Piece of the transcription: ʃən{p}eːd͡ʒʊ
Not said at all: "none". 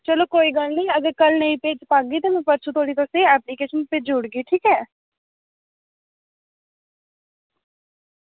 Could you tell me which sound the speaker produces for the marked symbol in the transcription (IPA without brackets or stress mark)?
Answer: p